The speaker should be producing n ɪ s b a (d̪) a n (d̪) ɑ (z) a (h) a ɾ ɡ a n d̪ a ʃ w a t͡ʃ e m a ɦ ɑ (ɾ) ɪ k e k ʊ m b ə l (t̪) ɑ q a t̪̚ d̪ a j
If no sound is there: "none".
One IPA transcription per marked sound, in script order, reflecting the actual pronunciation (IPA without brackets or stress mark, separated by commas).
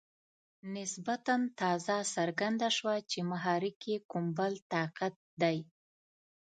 t̪, t̪, z, s, ɾ, t̪